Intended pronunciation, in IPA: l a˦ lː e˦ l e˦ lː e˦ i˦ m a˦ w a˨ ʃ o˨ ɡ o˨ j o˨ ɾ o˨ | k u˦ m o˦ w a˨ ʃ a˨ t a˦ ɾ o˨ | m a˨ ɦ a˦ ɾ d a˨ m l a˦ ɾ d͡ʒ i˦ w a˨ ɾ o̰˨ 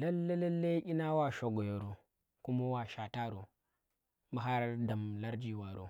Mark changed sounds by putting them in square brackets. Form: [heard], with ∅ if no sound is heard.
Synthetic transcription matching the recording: l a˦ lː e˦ l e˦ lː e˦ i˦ [n] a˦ w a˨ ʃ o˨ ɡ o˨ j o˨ ɾ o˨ | k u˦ m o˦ w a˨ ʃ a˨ t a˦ ɾ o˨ | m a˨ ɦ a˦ ɾ d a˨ m l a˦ ɾ d͡ʒ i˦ w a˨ ɾ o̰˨